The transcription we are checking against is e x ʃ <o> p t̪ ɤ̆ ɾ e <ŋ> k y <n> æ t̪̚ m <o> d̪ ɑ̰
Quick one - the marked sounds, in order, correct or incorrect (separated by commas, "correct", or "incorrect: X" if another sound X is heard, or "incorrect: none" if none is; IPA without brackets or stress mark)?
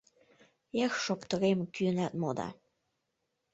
correct, incorrect: m, correct, correct